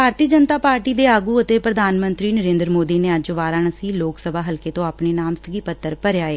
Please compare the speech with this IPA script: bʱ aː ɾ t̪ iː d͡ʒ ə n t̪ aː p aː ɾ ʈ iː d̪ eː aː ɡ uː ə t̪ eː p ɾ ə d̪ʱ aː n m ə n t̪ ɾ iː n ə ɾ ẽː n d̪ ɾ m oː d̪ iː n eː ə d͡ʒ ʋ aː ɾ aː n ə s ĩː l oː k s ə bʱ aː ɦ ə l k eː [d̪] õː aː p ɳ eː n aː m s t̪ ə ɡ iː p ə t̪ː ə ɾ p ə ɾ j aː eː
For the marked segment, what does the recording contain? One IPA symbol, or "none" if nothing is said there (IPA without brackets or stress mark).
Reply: t̪